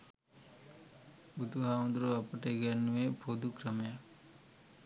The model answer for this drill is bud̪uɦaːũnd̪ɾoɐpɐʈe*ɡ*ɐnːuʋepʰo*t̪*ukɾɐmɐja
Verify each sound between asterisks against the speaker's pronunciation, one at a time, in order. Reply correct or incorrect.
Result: correct, incorrect: d̪

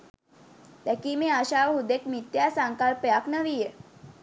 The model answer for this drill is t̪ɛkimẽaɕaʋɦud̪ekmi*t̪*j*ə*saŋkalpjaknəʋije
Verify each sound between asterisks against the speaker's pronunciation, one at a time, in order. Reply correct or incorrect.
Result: correct, incorrect: a

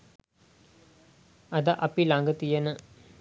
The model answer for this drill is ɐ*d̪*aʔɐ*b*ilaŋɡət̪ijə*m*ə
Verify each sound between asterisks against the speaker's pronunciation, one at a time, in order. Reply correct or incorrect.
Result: correct, incorrect: p, incorrect: n

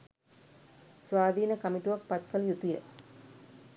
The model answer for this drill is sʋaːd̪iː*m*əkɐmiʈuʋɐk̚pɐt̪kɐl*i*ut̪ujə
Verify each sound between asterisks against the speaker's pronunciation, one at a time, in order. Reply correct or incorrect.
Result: incorrect: n, incorrect: j

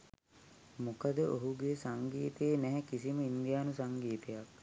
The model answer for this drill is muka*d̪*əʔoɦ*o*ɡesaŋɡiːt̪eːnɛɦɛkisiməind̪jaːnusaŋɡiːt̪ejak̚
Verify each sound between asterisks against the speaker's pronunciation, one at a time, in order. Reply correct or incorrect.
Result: correct, incorrect: u

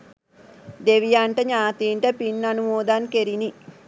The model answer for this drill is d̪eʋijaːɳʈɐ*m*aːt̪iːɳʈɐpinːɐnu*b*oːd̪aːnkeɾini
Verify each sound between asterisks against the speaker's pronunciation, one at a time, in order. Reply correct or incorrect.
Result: incorrect: ɲ, incorrect: m

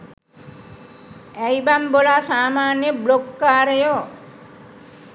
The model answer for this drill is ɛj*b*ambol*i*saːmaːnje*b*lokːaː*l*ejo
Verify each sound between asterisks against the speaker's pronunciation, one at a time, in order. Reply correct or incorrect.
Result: correct, incorrect: a, correct, incorrect: ɾ

